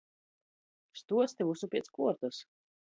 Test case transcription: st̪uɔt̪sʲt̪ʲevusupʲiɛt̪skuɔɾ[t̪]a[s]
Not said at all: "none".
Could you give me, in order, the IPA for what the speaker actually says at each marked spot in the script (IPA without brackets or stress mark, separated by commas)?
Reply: t̪, s